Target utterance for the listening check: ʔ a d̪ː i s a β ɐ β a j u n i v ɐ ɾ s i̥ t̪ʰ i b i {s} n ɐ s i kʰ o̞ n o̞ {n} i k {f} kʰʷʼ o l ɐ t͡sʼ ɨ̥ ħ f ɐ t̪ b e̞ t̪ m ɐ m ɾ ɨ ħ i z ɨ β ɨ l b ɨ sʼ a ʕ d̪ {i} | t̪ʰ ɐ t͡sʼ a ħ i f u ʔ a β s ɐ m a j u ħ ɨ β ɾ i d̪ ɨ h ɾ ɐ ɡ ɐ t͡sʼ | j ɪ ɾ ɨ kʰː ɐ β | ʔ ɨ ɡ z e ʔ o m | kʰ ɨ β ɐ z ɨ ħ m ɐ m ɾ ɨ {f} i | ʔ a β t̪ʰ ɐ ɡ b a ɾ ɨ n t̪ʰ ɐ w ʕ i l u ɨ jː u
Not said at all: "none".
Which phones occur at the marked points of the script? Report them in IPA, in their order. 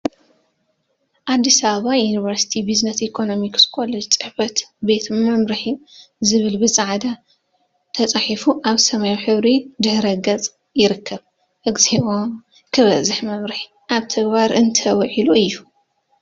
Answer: z, m, s, a, ħ

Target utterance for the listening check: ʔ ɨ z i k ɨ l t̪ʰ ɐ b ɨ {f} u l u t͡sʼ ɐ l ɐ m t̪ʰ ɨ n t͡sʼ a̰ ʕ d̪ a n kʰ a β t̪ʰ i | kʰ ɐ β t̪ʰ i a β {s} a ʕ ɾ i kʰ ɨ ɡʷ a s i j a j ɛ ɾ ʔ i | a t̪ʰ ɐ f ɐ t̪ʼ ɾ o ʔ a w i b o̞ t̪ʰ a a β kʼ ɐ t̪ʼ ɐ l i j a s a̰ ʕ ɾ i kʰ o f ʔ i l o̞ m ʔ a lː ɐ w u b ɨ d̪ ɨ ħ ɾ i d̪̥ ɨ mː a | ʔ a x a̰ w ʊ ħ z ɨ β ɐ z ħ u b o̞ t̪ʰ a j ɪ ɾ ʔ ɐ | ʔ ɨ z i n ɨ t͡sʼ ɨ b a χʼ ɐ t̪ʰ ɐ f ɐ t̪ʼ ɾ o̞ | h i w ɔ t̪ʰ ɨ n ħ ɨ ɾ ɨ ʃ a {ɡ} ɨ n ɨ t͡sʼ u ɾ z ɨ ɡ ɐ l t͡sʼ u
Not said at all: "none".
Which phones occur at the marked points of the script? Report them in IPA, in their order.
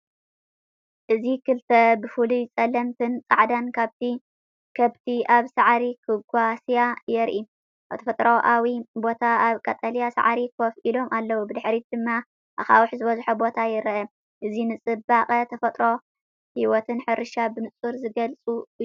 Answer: f, s, b

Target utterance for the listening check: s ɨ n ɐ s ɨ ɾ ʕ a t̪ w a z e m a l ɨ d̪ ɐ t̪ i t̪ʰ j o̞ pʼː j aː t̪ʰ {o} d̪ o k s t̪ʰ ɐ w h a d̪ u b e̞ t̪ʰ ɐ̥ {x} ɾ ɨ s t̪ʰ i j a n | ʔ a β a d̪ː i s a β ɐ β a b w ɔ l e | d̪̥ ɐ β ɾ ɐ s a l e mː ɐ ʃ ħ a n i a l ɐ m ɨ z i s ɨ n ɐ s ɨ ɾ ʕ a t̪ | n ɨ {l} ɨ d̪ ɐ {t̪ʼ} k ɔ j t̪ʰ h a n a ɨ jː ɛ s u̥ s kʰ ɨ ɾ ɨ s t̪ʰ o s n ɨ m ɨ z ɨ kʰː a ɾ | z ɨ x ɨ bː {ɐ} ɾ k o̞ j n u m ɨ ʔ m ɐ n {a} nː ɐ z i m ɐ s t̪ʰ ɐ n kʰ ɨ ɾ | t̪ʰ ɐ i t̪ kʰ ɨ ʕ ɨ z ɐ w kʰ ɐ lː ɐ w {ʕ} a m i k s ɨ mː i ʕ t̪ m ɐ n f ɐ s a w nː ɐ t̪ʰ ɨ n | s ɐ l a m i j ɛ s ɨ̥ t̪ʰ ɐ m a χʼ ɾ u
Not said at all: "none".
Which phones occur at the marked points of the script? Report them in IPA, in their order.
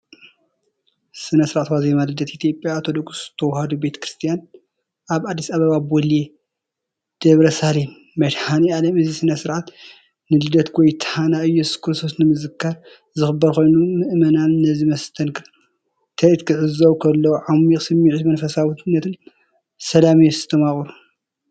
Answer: o, k, l, t̪, ɐ, a, ʕ

